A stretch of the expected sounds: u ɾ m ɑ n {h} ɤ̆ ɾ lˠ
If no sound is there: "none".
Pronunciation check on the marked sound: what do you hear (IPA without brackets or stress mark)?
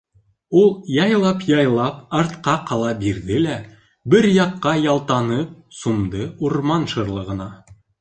ʃ